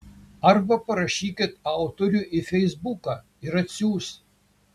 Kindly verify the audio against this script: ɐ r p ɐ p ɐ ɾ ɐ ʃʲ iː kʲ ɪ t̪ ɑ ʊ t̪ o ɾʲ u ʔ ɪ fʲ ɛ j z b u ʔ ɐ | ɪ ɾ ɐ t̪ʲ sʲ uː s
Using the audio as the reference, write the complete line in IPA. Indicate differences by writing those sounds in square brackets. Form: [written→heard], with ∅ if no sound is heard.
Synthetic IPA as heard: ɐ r [p→b] ɐ p ɐ ɾ ɐ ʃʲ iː kʲ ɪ t̪ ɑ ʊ t̪ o ɾʲ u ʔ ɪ fʲ ɛ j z b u [ʔ→k] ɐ | ɪ ɾ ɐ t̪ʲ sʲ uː s